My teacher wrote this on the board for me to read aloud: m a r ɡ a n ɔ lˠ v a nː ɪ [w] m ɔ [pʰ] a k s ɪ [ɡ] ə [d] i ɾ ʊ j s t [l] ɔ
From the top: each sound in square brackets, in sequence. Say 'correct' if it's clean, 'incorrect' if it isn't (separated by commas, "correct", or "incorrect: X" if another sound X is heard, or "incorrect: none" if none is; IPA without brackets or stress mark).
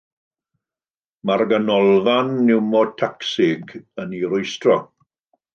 correct, incorrect: tʰ, correct, incorrect: n, incorrect: r